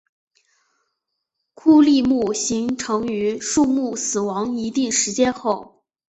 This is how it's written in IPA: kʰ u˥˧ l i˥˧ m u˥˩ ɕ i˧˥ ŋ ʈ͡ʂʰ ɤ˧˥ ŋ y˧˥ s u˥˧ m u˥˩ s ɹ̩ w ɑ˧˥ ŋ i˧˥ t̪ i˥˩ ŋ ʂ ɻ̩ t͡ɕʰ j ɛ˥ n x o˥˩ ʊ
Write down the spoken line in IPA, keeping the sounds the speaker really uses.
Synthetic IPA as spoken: kʰ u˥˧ l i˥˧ m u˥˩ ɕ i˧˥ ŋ ʈ͡ʂʰ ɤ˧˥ ŋ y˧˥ ʂ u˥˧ m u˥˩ s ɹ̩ w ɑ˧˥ ŋ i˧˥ t̪ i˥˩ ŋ ʂ ɻ̩ t͡ɕ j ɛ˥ n x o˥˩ ʊ